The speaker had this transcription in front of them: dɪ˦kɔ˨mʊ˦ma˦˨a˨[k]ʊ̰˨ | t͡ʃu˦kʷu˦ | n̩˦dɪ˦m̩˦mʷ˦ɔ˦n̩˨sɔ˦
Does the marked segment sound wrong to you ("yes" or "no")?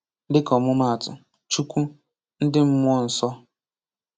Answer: yes